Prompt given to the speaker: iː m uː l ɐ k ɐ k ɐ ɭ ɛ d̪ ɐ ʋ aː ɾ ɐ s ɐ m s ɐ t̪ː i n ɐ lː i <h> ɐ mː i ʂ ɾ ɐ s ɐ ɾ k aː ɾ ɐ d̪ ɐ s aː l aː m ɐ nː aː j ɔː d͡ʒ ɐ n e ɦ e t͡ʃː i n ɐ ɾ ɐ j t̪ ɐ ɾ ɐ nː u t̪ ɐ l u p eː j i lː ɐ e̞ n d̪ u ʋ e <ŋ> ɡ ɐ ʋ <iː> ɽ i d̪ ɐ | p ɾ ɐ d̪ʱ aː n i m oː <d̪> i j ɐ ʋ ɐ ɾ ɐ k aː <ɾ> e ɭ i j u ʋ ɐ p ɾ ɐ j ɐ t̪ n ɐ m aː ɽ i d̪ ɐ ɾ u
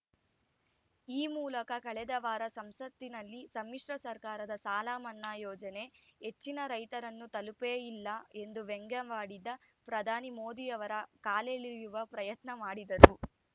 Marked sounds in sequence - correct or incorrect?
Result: incorrect: s, correct, incorrect: aː, correct, incorrect: l

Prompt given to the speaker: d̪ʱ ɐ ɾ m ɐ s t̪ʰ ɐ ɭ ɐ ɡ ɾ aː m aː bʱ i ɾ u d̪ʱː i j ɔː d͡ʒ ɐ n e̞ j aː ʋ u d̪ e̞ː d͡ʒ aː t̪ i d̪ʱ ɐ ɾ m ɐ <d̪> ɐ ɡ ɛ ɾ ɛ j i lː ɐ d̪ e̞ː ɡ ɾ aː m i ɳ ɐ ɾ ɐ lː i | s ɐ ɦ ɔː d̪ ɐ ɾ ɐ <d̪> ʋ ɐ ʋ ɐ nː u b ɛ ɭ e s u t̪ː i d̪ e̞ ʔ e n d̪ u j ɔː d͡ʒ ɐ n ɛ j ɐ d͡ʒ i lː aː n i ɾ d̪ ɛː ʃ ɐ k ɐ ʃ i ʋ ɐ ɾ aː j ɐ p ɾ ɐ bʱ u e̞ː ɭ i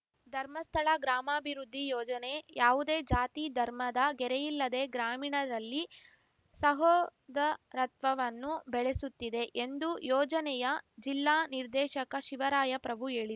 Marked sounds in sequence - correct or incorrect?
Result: correct, incorrect: t̪

